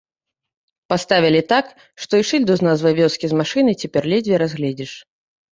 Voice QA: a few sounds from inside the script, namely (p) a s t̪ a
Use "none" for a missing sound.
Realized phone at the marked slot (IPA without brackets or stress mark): p